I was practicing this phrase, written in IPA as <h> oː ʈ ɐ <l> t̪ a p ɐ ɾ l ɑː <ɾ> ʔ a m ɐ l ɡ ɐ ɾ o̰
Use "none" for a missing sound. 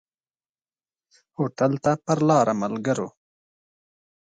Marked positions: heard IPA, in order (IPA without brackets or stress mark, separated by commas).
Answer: h, l, ɾ